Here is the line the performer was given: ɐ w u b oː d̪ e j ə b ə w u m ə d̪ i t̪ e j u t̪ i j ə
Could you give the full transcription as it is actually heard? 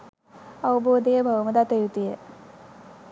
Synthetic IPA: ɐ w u b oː d̪ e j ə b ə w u m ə d̪ a t̪ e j u t̪ i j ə

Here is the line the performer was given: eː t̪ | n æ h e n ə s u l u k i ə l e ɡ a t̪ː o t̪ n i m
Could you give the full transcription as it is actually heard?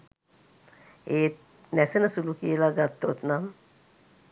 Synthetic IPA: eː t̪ | n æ s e n ə s u l u k i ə l a ɡ a t̪ː o t̪ n a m

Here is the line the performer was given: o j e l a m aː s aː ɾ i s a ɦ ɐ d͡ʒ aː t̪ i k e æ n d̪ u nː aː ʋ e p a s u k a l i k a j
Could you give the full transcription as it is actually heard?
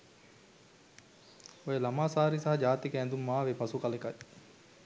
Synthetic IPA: o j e l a m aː s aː ɾ i s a ɦ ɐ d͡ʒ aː t̪ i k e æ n d̪ u mː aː ʋ e p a s u k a l e k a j

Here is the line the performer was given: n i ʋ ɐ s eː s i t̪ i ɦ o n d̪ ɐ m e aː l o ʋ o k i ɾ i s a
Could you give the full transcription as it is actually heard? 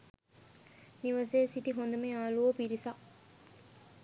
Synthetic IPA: n i ʋ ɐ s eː s i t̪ i ɦ o n d̪ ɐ m e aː l u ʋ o p i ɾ i s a

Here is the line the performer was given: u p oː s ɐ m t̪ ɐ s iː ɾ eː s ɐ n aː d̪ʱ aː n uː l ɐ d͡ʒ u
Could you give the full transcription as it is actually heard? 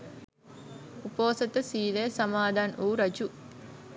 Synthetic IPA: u p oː s ɐ t̪ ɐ s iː l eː s ɐ m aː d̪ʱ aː n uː ɾ ɐ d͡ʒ u

